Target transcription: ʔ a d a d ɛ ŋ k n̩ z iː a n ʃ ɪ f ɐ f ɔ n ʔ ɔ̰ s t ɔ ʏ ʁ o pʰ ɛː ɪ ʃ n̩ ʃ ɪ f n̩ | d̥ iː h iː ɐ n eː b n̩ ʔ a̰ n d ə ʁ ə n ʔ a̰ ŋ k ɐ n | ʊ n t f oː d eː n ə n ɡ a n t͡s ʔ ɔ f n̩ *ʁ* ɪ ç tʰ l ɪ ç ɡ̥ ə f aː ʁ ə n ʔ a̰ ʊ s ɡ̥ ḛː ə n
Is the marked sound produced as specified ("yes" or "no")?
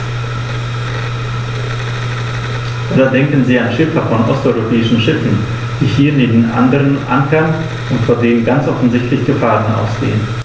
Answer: no